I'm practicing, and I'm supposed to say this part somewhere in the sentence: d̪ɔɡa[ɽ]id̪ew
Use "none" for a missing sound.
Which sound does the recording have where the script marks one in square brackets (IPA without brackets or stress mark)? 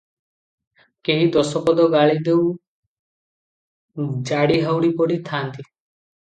ɭ